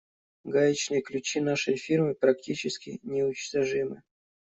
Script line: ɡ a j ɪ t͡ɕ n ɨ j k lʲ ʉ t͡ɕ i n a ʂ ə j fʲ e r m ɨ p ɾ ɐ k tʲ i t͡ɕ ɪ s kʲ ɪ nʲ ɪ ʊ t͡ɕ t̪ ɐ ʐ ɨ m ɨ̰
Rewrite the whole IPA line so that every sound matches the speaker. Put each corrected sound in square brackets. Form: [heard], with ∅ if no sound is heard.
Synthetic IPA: ɡ a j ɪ t͡ɕ n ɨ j k lʲ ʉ t͡ɕ i n a ʂ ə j fʲ [i] r m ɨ p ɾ ɐ k tʲ i t͡ɕ ɪ s kʲ ɪ nʲ ɪ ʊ t͡ɕ t̪ ɐ ʐ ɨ m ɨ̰